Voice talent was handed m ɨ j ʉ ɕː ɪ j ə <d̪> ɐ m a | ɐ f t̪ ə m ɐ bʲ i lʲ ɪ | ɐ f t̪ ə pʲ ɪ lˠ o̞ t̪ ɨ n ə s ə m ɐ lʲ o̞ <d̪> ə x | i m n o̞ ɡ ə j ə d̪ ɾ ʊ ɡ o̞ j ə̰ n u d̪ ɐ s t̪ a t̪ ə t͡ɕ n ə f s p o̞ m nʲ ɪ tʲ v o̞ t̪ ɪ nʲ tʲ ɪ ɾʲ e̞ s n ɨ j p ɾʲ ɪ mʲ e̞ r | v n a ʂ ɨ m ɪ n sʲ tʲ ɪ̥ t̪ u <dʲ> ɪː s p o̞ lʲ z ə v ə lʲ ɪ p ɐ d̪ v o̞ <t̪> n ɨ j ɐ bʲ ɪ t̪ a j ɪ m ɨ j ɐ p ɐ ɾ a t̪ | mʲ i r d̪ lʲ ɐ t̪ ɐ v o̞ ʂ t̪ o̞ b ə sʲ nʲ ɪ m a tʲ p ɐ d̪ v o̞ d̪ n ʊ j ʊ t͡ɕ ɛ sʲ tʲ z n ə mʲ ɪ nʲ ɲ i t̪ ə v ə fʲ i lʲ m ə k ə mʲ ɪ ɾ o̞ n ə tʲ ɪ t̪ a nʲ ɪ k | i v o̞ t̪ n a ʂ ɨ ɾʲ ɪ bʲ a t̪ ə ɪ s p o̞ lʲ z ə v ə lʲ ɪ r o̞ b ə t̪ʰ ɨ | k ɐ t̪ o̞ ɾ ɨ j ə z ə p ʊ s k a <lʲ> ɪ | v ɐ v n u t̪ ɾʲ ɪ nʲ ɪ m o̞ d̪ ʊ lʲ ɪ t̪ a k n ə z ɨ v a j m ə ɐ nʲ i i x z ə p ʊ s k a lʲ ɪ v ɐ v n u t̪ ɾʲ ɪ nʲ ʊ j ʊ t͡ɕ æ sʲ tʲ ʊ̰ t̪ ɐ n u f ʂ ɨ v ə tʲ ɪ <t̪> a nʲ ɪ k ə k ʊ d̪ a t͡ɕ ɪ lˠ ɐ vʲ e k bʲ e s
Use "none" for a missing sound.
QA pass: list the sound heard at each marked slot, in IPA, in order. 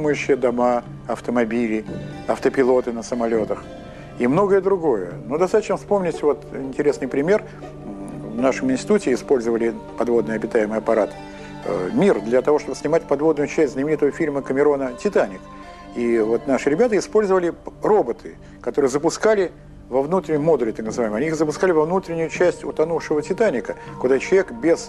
d̪, t̪, tʲ, d̪, lʲ, t̪

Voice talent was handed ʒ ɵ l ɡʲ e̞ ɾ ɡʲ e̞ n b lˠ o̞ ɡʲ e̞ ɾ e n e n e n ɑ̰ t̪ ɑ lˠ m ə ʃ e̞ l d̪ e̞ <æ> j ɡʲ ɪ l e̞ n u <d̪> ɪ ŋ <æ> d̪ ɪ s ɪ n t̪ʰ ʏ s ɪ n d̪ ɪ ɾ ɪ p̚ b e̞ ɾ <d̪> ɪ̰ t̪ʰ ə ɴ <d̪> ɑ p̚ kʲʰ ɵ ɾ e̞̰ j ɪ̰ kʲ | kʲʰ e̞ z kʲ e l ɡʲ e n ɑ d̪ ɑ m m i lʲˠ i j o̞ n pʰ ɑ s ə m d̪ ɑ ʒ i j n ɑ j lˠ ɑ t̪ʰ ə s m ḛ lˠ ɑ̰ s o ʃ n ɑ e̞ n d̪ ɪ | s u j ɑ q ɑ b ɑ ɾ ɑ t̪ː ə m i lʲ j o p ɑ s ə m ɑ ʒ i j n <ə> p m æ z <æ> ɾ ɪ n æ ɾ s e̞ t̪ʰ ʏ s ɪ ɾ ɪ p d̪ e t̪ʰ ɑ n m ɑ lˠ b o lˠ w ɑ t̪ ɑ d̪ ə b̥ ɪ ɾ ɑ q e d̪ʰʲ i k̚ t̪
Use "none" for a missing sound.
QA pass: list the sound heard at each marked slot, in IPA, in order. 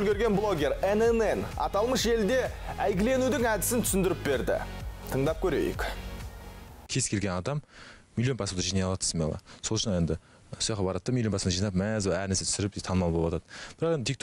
æ, d̪, æ, d̪, d̪, ɑ, æ

